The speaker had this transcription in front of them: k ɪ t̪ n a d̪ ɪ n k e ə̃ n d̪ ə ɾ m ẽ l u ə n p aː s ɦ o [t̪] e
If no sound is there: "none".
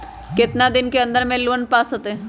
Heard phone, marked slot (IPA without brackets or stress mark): t̪